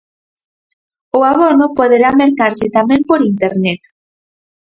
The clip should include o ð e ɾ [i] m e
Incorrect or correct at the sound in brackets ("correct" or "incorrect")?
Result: incorrect